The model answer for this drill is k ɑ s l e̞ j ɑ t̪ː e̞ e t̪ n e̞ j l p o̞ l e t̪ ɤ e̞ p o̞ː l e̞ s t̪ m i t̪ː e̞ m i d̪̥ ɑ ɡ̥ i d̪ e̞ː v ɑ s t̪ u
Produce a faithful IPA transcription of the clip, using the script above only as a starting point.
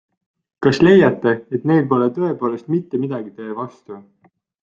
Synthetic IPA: k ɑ s l e̞ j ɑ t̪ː e̞ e t̪ n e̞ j l p o̞ l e t̪ ɤ e̞ p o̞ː l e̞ s t̪ m i t̪ː e̞ m i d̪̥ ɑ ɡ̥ i t̪ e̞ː v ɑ s t̪ u